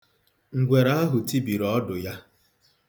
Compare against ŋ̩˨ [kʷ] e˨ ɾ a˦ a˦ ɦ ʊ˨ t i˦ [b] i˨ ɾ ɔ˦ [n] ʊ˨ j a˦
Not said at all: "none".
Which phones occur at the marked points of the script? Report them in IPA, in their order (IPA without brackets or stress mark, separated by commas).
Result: ɡʷ, b, d